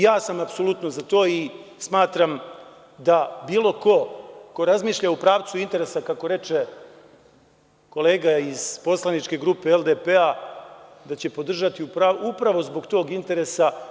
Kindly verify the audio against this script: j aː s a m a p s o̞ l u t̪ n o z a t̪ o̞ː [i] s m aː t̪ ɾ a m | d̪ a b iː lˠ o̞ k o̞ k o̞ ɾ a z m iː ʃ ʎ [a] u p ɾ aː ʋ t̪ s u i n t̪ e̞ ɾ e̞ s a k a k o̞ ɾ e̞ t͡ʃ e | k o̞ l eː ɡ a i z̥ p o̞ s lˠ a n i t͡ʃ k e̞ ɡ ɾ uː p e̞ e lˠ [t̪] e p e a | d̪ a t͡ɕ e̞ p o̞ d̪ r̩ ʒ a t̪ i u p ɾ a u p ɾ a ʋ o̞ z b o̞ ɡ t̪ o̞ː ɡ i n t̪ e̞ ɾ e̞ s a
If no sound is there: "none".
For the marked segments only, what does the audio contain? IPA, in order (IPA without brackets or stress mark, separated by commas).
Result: i, a, d̪